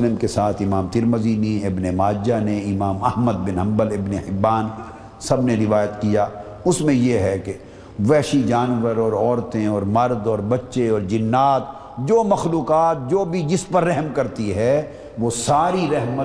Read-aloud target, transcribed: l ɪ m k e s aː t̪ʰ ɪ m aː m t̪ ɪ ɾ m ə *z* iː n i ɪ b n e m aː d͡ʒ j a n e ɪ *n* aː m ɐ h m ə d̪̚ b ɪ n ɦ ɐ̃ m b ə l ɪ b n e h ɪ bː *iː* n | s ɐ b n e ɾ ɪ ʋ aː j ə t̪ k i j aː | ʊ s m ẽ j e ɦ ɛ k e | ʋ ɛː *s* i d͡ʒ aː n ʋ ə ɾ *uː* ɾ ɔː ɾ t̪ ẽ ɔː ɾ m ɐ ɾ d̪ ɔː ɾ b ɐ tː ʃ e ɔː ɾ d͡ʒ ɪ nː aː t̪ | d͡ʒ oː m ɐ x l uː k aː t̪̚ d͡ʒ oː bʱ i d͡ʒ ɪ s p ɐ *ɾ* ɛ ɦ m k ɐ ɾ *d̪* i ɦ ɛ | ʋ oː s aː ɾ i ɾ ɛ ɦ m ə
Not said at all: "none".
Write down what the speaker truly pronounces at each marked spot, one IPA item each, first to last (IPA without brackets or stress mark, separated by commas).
z, m, aː, ʃ, ɔː, ɾː, t̪